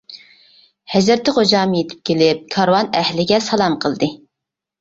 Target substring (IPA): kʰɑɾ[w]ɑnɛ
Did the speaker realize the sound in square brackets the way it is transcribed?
yes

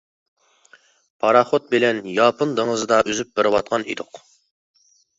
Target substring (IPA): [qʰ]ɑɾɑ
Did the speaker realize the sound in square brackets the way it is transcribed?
no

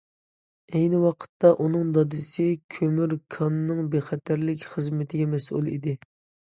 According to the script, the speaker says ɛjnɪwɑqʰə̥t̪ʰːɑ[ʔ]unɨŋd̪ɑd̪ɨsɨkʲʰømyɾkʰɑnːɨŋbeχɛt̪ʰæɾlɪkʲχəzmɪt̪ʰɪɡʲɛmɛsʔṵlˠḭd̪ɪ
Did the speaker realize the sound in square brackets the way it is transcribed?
yes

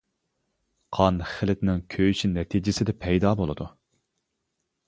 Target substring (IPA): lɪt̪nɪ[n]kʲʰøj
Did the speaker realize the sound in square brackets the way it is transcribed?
no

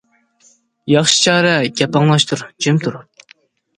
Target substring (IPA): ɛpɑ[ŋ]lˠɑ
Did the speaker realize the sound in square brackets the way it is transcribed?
yes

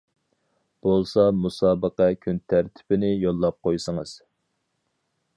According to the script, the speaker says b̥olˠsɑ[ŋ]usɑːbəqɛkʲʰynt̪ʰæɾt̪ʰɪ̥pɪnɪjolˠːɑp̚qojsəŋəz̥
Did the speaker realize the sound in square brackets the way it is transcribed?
no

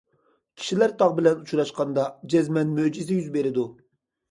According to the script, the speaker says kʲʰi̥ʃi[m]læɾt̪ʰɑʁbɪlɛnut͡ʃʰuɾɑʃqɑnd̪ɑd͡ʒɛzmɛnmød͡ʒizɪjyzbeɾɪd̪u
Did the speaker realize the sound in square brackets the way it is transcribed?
no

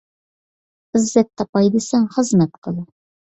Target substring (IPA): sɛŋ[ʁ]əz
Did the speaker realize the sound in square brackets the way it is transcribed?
no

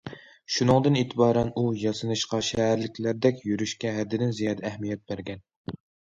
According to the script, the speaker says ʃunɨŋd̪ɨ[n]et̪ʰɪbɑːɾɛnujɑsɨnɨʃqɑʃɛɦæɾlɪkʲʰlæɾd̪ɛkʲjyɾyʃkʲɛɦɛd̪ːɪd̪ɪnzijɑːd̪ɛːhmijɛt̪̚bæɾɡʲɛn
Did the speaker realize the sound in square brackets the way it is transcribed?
yes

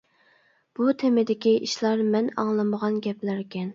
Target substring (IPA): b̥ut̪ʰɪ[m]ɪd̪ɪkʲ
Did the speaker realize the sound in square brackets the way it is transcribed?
yes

